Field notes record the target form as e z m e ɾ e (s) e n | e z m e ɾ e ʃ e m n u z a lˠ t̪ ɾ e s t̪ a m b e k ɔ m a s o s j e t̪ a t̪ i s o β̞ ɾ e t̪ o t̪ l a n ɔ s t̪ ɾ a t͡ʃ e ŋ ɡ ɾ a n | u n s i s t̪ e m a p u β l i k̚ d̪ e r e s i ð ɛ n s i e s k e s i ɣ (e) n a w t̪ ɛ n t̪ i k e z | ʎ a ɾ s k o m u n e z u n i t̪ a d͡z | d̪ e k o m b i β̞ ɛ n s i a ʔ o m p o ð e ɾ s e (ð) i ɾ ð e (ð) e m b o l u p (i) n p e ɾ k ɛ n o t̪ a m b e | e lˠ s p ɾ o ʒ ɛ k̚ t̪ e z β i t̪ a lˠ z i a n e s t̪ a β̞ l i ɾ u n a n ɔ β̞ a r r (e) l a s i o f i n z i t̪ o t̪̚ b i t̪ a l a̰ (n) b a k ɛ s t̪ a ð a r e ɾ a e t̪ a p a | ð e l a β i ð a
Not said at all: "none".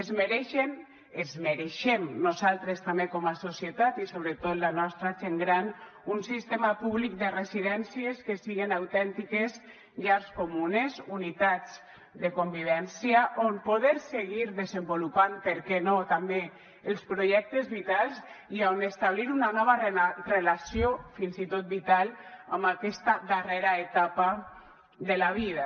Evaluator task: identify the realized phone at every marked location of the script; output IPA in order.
ʃ, e, ɣ, z, a, e, m

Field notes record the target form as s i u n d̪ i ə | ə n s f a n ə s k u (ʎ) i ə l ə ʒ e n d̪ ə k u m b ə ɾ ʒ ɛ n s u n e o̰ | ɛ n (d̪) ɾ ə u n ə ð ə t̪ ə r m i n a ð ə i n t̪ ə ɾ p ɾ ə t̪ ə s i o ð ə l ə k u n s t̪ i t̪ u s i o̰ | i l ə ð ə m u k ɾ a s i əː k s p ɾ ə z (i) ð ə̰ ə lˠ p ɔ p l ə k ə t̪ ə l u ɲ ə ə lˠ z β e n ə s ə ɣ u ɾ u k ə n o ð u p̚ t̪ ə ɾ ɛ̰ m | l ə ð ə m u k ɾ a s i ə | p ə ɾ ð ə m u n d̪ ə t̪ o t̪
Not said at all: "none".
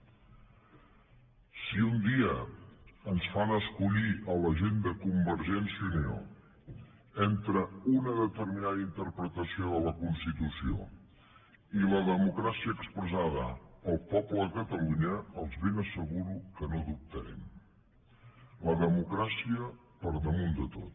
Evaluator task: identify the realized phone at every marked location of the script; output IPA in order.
ʎ, t̪, a

